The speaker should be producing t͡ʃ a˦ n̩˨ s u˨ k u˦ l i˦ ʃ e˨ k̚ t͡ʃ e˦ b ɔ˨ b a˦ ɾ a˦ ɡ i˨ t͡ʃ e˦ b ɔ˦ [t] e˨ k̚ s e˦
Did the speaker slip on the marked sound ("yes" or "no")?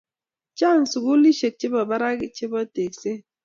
no